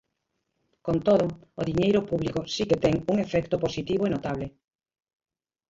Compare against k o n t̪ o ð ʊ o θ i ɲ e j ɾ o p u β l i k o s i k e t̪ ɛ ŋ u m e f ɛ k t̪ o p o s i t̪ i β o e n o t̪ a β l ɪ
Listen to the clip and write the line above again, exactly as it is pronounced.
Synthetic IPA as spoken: k o n t̪ o ð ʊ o ð i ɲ e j ɾ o p u β l i k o s i k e t̪ ɛ ŋ u ŋ e f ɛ k t̪ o p o s i t̪ i β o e n o t̪ a β l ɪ